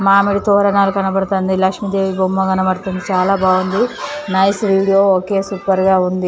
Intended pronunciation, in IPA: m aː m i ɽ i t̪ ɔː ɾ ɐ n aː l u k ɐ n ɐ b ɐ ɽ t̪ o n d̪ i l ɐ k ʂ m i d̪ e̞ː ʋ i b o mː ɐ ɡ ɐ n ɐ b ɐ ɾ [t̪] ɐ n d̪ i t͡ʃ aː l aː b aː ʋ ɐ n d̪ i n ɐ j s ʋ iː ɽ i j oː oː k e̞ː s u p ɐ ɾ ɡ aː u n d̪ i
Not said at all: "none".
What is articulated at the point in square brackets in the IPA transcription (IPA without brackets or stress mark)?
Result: t̪